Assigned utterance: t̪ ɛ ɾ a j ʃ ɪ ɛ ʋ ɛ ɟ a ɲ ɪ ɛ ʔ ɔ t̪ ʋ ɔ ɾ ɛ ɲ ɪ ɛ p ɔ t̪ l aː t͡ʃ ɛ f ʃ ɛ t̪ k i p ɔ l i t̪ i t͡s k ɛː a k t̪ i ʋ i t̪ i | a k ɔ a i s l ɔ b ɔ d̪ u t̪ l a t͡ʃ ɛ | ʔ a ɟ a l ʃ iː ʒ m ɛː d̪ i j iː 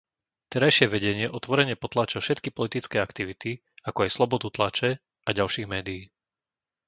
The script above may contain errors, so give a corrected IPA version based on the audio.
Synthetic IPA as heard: t̪ ɛ ɾ a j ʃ ɪ ɛ ʋ ɛ ɟ ɛ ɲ ɪ ɛ ʔ ɔ t̪ ʋ ɔ ɾ ɛ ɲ ɪ ɛ p ɔ t̪ l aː t͡ʃ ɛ f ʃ ɛ t̪ k i p ɔ l i t̪ i t͡s k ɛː a k t̪ i ʋ i t̪ i | a k ɔ a j s l ɔ b ɔ d̪ u t̪ l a t͡ʃ ɛ | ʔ a ɟ a l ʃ iː ɣ m ɛː d̪ i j iː